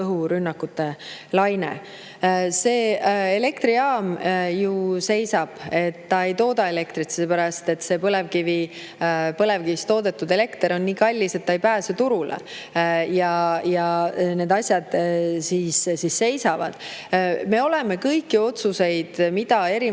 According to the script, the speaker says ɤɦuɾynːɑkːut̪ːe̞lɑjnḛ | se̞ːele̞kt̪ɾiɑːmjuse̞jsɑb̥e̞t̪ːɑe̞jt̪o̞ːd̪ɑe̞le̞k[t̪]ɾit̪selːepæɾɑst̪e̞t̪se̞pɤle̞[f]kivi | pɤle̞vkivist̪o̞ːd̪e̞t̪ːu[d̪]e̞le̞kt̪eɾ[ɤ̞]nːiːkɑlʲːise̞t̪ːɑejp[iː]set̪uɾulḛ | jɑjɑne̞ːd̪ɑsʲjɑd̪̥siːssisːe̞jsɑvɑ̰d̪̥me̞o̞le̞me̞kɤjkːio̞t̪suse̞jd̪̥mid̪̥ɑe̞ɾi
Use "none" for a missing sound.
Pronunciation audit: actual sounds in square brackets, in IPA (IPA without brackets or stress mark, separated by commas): t̪, v, d̪, o̞, æː